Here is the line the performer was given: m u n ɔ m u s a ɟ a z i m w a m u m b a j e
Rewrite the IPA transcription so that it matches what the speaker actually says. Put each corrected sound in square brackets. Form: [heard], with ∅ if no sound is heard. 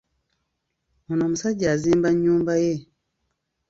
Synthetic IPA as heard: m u n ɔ m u s a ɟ a z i m [b] a [ɲ] u m b a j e